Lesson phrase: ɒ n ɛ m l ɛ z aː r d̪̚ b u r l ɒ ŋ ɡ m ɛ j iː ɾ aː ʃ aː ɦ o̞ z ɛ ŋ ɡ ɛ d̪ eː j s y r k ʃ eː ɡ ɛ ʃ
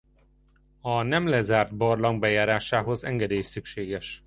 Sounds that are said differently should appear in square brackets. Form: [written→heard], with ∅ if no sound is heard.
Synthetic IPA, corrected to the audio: ɒ n ɛ m l ɛ z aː r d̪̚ b [u→ɒ] r l ɒ ŋ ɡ [m→b] ɛ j [iː→aː] ɾ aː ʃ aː ɦ o̞ z ɛ ŋ ɡ ɛ d̪ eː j s y [r→∅] k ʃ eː ɡ ɛ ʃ